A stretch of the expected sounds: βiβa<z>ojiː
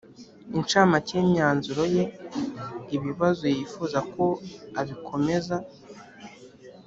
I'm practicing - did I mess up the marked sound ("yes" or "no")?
no